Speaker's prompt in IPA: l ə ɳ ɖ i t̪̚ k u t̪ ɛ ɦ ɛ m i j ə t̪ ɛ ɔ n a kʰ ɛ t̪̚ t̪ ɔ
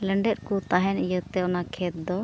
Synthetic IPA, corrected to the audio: l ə ɳ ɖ ɛ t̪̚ k u t̪ a ɦ ɛ n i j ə t̪ ɛ ɔ n a kʰ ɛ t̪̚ d̪ ɔ